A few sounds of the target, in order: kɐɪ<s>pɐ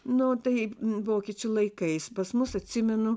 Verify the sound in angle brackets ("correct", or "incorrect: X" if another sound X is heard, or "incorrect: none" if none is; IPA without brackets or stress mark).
correct